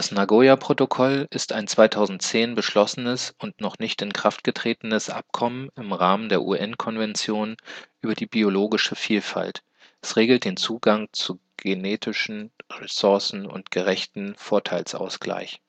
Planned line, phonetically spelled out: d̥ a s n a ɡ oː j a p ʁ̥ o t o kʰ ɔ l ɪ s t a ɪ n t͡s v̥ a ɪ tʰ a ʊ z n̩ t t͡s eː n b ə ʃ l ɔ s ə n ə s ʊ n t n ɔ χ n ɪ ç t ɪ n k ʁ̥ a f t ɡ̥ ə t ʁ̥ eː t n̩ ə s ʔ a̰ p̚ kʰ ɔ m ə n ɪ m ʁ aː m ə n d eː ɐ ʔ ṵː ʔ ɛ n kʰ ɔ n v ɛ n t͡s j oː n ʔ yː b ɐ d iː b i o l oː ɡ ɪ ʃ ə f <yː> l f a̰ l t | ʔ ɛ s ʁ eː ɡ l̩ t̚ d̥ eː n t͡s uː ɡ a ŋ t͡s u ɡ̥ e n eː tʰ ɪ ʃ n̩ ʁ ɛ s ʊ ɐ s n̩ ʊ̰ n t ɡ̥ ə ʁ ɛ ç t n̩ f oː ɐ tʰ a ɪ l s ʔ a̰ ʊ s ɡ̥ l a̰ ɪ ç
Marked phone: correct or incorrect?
incorrect